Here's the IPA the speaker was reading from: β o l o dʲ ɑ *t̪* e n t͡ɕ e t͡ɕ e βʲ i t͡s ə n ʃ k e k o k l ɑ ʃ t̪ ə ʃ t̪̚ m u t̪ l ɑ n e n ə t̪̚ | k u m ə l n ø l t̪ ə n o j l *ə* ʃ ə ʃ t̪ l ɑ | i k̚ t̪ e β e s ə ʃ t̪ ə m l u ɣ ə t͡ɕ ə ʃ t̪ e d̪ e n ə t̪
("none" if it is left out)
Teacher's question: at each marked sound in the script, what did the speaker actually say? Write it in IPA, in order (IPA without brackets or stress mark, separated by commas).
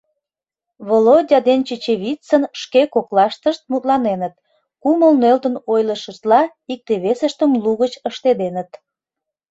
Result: d̪, ə